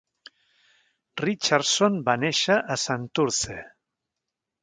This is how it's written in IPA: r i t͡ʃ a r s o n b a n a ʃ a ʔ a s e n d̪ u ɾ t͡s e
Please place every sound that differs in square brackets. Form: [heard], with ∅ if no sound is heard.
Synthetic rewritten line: r i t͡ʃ a [ɾ] s o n b a n [e] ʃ a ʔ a s [a] n [t̪] u ɾ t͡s e